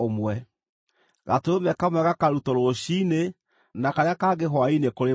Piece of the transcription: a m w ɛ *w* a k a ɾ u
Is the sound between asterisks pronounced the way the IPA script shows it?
no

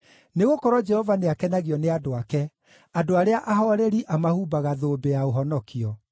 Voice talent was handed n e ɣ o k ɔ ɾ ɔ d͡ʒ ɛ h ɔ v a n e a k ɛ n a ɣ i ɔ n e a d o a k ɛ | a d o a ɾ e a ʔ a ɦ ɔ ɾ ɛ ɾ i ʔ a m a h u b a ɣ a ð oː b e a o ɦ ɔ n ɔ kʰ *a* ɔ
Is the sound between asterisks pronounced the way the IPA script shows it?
no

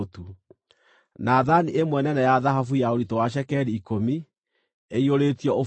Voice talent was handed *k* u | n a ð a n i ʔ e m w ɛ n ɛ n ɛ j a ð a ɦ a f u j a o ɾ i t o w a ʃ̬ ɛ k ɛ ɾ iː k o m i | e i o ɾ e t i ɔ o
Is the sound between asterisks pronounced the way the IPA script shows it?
no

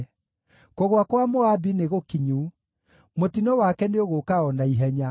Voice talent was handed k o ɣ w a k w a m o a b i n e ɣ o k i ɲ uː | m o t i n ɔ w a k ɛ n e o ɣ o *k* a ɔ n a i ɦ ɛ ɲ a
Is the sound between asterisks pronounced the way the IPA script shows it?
yes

